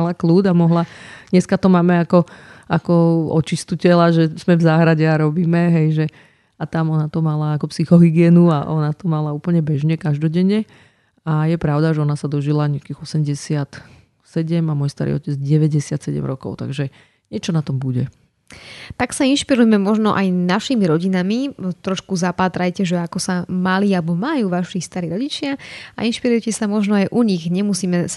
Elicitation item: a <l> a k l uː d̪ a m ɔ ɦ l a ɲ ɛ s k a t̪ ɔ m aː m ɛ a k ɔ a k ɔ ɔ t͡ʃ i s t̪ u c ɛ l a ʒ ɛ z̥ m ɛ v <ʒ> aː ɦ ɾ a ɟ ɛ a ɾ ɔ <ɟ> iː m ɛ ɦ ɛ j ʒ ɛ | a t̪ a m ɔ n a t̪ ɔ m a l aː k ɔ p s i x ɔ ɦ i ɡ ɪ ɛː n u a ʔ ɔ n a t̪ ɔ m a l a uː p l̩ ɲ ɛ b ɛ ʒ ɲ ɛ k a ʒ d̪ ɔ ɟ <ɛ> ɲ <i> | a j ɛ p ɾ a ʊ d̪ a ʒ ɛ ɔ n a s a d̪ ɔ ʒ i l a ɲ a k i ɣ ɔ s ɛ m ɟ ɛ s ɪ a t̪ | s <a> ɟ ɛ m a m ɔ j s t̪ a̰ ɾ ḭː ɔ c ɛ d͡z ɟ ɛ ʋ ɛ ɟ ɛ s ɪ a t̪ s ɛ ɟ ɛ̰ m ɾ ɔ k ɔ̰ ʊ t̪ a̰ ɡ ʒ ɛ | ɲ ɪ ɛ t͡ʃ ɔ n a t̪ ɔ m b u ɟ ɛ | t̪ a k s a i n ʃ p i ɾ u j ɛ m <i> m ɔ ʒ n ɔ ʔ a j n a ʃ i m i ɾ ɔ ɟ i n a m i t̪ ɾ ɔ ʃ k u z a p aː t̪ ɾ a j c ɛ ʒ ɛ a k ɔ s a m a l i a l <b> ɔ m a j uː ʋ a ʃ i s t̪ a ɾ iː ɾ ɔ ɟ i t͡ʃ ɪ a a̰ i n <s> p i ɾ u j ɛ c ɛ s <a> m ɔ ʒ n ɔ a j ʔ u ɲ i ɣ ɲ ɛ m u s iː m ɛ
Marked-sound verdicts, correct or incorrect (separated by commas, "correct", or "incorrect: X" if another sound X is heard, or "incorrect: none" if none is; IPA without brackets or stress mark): correct, incorrect: z, incorrect: b, correct, incorrect: ɛ, incorrect: ɛ, incorrect: ɛ, correct, incorrect: ʃ, correct